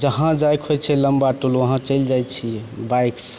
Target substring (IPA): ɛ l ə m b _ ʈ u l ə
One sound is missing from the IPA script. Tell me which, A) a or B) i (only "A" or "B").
A